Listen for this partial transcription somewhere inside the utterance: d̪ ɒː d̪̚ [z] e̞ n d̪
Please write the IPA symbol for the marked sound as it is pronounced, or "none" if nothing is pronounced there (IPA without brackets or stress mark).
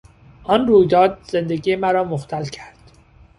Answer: z